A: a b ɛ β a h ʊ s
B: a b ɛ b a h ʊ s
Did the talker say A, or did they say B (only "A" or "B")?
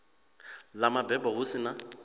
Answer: B